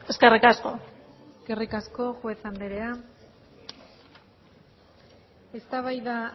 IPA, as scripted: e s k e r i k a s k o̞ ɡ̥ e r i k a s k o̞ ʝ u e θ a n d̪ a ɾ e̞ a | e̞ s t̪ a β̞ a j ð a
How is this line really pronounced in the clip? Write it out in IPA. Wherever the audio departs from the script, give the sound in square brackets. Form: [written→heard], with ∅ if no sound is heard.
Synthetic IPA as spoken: e s k e r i k a s k o̞ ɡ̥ e r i k a s k o̞ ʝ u e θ a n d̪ [a→e] ɾ e̞ a | e̞ s t̪ a β̞ a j ð a